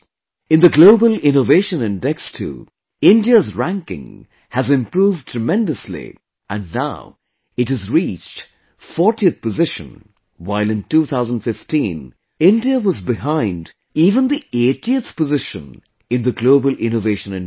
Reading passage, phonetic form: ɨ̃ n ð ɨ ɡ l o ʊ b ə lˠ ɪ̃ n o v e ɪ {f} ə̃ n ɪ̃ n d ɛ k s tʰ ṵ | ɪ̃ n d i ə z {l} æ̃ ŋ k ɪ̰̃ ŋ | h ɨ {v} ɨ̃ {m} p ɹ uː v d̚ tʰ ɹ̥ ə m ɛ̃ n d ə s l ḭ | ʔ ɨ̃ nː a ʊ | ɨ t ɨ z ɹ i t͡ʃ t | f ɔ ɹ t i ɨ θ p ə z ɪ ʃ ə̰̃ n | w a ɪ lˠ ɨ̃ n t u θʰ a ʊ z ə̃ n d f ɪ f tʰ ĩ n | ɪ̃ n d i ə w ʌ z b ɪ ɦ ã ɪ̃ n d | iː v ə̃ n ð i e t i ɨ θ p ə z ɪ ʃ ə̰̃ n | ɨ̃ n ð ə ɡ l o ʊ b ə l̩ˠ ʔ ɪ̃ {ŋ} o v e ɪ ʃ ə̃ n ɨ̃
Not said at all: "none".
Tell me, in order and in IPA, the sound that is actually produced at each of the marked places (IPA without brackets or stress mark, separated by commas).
ʃ, ɹ, z, m, n